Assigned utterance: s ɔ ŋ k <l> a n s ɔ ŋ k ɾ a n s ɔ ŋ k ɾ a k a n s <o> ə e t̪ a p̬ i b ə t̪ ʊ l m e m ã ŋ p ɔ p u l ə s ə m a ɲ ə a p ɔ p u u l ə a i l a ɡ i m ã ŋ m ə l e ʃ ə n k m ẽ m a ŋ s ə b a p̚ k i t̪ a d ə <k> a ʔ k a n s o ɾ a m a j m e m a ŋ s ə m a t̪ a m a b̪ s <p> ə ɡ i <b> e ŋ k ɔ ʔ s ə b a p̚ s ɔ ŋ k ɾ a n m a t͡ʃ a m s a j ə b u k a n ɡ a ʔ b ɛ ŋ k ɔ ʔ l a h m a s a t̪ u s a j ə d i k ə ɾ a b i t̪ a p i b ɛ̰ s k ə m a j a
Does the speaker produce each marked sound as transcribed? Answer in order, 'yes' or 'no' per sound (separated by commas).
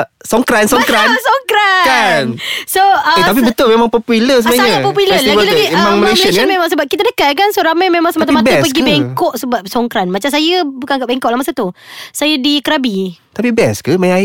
no, yes, yes, yes, yes